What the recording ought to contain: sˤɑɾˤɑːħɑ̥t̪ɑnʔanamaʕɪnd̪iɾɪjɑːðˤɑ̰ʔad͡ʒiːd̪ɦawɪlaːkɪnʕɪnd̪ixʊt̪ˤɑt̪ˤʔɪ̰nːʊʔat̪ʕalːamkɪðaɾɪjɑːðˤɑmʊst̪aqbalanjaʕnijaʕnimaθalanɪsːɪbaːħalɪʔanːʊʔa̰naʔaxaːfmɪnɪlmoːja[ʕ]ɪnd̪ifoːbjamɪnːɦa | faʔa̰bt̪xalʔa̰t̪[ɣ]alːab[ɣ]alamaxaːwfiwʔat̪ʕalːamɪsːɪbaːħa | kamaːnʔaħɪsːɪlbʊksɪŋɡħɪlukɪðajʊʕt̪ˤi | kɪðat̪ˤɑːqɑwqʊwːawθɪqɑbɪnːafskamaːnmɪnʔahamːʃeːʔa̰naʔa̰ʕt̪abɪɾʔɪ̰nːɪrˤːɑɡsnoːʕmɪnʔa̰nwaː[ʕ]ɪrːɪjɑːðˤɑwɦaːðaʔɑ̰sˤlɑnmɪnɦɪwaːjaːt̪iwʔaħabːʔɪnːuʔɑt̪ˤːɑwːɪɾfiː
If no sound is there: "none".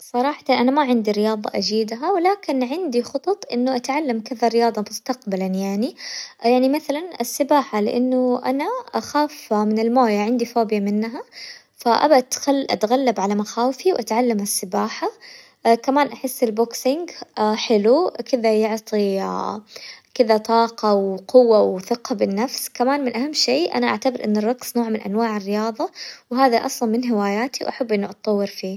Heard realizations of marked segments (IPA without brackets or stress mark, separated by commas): ʕ, ɣ, ʕ, ʕ